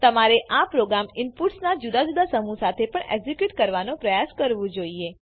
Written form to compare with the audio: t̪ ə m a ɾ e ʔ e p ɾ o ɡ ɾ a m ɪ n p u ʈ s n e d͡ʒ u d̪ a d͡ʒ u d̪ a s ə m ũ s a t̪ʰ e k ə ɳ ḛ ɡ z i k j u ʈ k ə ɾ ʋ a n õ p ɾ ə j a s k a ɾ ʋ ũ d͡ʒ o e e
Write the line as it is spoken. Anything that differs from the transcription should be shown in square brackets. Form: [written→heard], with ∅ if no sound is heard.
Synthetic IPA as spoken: t̪ ə m a ɾ e ʔ [e→a] p ɾ o ɡ ɾ a m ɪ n p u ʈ s n [e→a] d͡ʒ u d̪ a d͡ʒ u d̪ a s ə m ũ s a t̪ʰ e [k→p] ə ɳ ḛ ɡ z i k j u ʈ k ə ɾ ʋ a n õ p ɾ ə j a s k [a→ə] ɾ ʋ ũ d͡ʒ o [e→i] e